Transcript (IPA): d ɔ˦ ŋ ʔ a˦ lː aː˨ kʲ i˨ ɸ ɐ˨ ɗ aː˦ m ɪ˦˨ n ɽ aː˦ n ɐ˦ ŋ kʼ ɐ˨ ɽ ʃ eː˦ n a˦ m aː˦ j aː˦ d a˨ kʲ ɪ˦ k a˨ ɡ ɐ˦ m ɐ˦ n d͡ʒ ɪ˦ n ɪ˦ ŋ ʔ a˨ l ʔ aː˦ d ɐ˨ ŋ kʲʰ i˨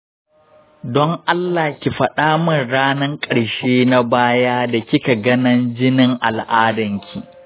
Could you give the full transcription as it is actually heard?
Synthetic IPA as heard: d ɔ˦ ŋ ʔ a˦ lː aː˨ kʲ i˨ ɸ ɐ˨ ɗ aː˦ m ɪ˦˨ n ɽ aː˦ n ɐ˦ ŋ kʼ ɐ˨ ɽ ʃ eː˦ n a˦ b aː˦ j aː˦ d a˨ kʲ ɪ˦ k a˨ ɡ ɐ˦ n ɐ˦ n d͡ʒ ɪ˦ n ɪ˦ ŋ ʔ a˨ l ʔ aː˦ d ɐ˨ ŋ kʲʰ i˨